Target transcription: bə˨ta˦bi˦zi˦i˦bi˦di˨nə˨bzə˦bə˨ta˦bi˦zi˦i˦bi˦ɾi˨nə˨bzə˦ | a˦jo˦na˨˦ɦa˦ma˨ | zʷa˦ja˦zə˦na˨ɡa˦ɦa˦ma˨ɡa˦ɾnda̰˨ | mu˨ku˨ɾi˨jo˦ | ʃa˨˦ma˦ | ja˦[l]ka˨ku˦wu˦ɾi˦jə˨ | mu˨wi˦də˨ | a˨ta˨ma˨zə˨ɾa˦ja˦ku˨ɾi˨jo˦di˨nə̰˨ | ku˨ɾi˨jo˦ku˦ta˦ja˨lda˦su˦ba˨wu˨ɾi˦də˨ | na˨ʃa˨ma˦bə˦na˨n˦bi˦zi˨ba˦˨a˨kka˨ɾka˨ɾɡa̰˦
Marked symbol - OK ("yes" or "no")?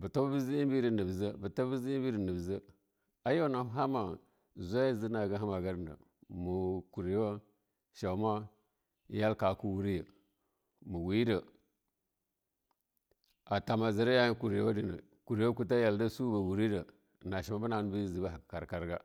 yes